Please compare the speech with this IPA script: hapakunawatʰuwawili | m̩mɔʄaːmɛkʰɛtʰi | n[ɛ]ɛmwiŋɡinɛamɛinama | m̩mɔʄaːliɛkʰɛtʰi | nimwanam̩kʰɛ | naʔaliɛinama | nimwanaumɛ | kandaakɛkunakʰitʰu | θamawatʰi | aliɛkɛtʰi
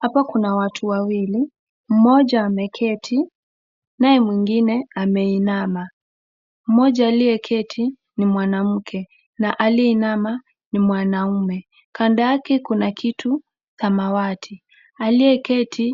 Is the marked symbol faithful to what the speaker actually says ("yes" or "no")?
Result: no